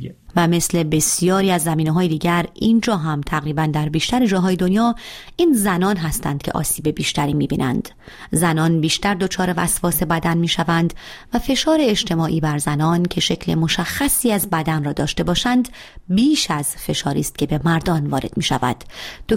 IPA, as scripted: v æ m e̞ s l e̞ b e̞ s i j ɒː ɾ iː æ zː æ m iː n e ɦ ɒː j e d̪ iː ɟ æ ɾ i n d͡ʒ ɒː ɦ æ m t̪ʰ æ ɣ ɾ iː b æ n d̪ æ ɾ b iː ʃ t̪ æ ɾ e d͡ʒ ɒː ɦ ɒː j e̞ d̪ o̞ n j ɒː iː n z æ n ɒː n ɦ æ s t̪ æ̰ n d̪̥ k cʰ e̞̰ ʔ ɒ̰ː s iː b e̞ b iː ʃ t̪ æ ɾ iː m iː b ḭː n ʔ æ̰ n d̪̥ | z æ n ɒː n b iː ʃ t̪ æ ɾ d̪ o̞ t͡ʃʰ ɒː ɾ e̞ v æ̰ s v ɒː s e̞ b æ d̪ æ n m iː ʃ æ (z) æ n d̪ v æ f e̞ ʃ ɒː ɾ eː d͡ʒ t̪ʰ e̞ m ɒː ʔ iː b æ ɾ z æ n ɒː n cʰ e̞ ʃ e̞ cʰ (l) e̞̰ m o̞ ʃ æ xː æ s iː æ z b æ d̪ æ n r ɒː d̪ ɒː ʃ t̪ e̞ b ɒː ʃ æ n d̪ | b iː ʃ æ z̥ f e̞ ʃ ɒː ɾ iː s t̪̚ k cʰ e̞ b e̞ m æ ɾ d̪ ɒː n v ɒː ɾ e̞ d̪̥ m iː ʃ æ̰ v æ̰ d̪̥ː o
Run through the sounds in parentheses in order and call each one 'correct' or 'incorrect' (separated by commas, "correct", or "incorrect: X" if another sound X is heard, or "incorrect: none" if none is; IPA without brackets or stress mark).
incorrect: v, correct